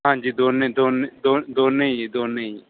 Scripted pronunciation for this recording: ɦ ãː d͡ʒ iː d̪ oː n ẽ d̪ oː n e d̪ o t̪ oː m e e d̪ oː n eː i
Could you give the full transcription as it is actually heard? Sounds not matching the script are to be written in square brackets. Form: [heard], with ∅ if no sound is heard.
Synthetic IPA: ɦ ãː d͡ʒ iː d̪ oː n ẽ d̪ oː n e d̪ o [d̪] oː [n] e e d̪ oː n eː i